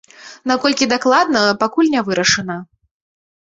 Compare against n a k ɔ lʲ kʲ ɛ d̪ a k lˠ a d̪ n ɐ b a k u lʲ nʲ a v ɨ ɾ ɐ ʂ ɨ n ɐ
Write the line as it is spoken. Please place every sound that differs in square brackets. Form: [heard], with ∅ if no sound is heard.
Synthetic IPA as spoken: n a k ɔ lʲ kʲ [i] d̪ a k lˠ a d̪ n ɐ [p] a k u lʲ nʲ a v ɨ ɾ ɐ ʂ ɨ n ɐ